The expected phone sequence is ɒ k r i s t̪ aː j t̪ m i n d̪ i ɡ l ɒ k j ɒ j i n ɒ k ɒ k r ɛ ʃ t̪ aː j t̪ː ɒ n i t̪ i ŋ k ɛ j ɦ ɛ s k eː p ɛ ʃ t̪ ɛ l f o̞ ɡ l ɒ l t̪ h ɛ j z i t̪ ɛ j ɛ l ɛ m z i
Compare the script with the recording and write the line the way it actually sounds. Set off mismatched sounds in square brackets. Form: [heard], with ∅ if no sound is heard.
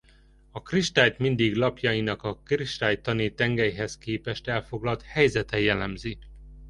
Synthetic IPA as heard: ɒ k r i [ʃ] t̪ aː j t̪ m i n d̪ i ɡ l ɒ [p] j ɒ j i n ɒ k ɒ k r [i] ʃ t̪ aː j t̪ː ɒ n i t̪ [ɛ] ŋ [ɡ] ɛ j ɦ ɛ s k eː p ɛ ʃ t̪ ɛ l f o̞ ɡ l ɒ l t̪ h ɛ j z [ɛ] t̪ ɛ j ɛ l ɛ m z i